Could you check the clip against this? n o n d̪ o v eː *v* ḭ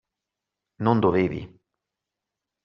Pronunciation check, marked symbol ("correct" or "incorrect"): correct